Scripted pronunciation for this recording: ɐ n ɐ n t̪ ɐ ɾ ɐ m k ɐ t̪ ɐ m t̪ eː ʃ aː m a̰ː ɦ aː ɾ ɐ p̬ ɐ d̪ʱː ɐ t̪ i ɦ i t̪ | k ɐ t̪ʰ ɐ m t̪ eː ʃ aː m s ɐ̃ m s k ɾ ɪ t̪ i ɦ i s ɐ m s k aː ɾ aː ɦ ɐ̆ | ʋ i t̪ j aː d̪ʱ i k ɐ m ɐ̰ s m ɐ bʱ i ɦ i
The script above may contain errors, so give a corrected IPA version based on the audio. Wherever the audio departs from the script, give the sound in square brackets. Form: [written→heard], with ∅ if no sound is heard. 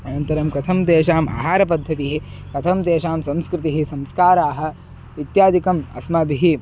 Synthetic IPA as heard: ɐ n ɐ n t̪ ɐ ɾ ɐ m k ɐ [t̪→t̪ʰ] ɐ m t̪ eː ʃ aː m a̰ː ɦ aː ɾ ɐ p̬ ɐ d̪ʱː ɐ t̪ i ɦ i [t̪→∅] | k ɐ t̪ʰ ɐ m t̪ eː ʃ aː m s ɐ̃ m s k ɾ ɪ t̪ i ɦ i s ɐ m s k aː ɾ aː ɦ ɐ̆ | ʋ i t̪ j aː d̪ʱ i k ɐ m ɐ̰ s m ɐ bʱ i ɦ i

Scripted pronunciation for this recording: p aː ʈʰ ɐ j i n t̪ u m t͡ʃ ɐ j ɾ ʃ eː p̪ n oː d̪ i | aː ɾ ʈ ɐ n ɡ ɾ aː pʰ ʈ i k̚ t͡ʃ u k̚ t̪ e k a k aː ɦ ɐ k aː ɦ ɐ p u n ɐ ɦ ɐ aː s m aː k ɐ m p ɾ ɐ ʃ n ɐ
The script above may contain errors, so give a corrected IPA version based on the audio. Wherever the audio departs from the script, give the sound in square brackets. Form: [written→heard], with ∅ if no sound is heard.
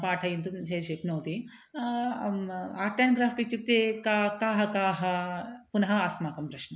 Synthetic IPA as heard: p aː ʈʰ ɐ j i n t̪ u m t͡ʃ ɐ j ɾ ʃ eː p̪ n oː [d̪→t̪] i | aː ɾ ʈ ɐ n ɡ ɾ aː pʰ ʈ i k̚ t͡ʃ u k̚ t̪ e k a k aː ɦ ɐ k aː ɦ ɐ p u n ɐ ɦ ɐ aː s m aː k ɐ m p ɾ ɐ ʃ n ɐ

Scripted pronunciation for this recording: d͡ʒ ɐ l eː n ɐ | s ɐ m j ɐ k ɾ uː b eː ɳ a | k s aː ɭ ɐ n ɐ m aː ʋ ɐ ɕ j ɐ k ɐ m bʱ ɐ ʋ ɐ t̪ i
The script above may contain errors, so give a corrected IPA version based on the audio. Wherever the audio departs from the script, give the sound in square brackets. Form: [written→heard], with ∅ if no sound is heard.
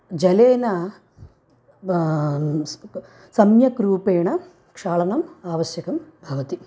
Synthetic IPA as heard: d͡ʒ ɐ l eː n ɐ | s ɐ m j ɐ k ɾ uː [b→p] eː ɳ [a→ɐ] | k [s→ʂ] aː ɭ ɐ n ɐ m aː ʋ ɐ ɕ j ɐ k ɐ m bʱ ɐ ʋ ɐ t̪ i

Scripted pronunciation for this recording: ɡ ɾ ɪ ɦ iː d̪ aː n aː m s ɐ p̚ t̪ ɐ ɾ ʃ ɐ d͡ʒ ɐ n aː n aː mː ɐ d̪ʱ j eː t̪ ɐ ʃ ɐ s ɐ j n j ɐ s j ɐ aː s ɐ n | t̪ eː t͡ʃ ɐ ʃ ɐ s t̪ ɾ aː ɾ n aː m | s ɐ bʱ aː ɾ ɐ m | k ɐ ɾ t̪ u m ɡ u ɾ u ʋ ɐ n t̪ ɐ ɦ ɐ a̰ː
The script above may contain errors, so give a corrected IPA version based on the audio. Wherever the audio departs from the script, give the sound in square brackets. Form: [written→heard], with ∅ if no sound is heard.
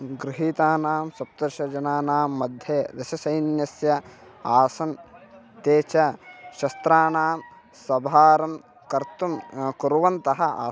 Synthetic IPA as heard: ɡ ɾ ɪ ɦ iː [d̪→t̪] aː n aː m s ɐ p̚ t̪ ɐ ɾ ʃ ɐ d͡ʒ ɐ n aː n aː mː ɐ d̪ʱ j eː [t̪→d̪] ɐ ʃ ɐ s ɐ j n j ɐ s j ɐ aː s ɐ n | t̪ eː t͡ʃ ɐ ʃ ɐ s t̪ ɾ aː [ɾ→∅] n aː m | s ɐ bʱ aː ɾ ɐ m | k ɐ ɾ t̪ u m [ɡ→k] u ɾ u ʋ ɐ n t̪ ɐ ɦ ɐ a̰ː

